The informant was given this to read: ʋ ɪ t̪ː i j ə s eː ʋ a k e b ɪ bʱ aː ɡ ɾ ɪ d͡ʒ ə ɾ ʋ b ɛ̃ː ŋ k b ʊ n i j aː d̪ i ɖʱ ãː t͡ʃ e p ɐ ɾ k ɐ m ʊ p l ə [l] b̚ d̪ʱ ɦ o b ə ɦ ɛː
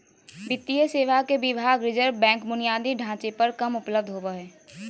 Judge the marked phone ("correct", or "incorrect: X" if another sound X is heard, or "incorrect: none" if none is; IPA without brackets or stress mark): incorrect: none